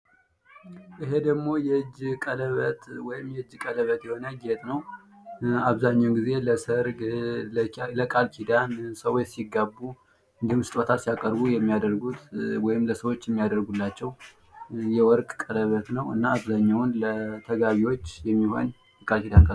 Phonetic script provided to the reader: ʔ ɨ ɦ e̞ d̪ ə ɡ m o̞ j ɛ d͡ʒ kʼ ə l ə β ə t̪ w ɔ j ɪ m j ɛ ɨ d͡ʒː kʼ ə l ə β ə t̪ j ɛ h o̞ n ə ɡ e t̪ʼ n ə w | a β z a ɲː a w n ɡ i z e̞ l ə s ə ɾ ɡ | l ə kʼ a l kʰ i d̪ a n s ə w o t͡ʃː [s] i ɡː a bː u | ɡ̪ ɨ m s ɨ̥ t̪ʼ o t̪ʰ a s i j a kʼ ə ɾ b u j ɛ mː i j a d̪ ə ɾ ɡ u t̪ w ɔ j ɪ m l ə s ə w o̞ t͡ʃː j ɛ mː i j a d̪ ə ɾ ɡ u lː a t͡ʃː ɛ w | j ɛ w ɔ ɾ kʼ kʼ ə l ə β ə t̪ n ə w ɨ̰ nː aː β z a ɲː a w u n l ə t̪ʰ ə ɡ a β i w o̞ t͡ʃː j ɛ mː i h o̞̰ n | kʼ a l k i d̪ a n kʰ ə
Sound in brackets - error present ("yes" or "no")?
no